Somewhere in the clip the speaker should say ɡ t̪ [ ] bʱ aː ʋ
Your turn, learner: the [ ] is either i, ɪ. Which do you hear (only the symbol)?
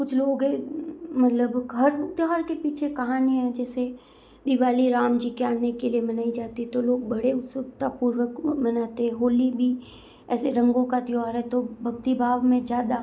i